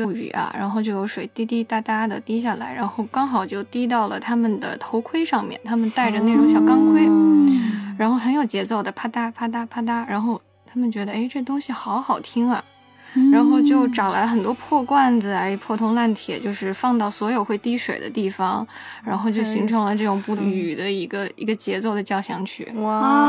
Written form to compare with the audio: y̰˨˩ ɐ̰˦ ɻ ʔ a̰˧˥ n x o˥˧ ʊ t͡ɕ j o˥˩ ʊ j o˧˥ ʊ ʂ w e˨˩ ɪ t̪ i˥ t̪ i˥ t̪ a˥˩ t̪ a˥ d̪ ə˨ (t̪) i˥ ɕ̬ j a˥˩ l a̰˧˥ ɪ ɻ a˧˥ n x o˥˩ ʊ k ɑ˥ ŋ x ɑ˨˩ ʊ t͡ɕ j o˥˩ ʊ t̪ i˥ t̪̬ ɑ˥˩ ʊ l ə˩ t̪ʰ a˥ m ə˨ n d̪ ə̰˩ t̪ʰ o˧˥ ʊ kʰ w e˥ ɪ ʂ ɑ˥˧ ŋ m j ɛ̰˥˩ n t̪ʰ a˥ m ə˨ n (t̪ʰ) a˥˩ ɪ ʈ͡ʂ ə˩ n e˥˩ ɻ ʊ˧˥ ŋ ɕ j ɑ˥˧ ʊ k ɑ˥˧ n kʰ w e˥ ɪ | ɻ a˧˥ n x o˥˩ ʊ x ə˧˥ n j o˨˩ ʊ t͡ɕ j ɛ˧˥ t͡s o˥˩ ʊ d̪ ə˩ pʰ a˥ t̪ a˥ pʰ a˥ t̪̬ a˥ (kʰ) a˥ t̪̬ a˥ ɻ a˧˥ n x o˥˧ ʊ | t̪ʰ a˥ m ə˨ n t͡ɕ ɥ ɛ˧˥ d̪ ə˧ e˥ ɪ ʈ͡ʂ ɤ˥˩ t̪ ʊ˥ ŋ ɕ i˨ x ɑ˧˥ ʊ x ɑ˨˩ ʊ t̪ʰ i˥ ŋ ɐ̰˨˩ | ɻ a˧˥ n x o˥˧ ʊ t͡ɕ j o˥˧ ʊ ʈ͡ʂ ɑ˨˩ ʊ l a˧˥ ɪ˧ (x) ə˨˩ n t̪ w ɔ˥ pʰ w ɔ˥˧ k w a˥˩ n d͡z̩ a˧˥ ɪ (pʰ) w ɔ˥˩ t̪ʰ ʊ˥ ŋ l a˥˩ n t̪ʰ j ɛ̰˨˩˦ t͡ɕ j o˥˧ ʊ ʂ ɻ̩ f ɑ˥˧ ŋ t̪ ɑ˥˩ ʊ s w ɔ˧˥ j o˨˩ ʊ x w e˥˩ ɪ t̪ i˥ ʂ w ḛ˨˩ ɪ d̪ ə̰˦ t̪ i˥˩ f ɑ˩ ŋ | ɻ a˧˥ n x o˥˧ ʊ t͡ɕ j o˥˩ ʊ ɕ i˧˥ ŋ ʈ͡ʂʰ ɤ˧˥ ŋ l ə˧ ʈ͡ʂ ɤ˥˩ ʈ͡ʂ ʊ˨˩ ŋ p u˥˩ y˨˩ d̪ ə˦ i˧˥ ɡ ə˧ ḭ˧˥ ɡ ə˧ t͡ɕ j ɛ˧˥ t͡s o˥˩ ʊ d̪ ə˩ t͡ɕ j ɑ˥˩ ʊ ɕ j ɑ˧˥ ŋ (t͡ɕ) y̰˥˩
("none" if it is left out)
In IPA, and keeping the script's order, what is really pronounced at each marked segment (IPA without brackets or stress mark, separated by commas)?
t̪, t̪, pʰ, x, pʰ, t͡ɕʰ